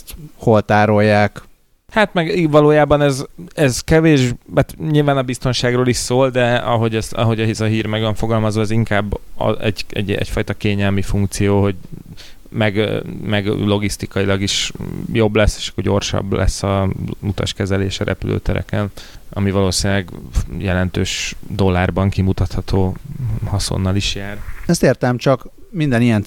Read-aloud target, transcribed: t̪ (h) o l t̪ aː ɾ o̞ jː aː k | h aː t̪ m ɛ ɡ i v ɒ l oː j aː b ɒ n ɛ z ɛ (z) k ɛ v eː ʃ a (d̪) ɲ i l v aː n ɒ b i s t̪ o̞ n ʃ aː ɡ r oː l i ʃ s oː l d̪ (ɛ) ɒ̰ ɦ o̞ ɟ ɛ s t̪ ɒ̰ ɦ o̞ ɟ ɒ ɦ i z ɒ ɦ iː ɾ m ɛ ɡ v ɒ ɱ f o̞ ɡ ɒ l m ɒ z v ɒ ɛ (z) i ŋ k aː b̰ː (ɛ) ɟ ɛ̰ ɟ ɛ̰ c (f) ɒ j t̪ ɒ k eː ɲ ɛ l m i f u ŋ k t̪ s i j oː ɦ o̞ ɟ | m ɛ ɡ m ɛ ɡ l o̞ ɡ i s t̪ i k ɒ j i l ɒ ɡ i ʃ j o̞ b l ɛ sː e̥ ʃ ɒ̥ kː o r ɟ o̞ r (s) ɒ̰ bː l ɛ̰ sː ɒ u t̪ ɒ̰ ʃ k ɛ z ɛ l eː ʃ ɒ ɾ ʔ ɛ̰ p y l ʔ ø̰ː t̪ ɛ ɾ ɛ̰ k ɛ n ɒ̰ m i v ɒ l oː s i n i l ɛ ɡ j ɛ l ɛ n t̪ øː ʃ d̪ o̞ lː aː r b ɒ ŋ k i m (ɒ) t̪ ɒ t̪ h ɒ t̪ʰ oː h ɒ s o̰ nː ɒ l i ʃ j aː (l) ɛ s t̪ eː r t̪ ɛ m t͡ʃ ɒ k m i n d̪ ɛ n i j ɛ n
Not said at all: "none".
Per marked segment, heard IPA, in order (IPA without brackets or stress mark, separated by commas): h, z, t̪, ɛ, z, ɛ, f, ʃ, u, r